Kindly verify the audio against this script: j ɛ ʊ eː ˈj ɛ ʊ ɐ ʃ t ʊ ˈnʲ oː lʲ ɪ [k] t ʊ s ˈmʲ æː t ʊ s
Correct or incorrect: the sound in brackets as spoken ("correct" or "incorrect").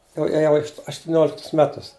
correct